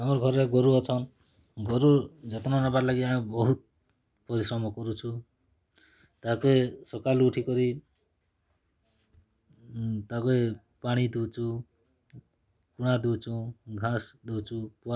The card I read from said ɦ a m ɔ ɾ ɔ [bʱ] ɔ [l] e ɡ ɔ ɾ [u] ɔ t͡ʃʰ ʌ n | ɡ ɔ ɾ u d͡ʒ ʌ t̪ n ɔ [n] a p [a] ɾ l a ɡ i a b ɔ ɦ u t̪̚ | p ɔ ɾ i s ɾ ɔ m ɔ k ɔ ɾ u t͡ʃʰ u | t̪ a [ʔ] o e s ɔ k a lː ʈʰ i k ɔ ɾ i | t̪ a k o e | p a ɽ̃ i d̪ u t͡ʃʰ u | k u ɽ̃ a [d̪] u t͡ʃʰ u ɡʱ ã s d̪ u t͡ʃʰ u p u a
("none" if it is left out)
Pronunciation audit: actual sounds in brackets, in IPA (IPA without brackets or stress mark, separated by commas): ɡʱ, ɾ, u, n, a, k, d̪